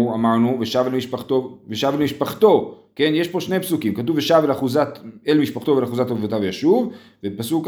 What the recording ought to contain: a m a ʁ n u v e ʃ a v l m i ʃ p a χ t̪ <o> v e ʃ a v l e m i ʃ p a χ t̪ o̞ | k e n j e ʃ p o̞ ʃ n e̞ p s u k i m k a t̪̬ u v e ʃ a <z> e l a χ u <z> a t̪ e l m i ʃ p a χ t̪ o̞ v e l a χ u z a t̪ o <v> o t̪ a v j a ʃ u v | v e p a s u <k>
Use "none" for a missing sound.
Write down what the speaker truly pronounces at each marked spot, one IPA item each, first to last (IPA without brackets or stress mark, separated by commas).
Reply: o, v, z, v, k